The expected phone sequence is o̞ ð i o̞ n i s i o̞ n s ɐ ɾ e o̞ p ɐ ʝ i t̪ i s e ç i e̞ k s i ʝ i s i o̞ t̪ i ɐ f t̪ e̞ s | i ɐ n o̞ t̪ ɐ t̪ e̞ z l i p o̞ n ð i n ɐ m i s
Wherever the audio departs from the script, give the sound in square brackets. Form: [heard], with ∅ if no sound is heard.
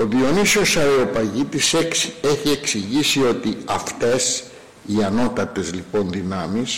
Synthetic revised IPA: o̞ ð i o̞ n i s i o̞ [∅] s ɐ ɾ e o̞ p ɐ ʝ i t̪ i s e ç i e̞ k s i ʝ i s i o̞ t̪ i ɐ f t̪ e̞ s | i ɐ n o̞ t̪ ɐ t̪ e̞ z l i p o̞ n ð i n ɐ m i s